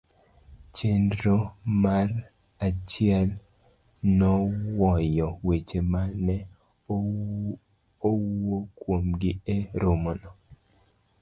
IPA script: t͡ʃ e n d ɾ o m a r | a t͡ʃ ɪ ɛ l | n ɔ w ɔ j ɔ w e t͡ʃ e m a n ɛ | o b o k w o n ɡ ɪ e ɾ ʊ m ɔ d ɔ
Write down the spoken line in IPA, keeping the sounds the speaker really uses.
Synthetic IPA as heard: t͡ʃ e n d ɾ o m a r | a t͡ʃ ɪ ɛ l | n ɔ w ɔ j ɔ w e t͡ʃ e m a n ɛ | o w o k w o m ɡ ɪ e ɾ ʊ m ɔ n ɔ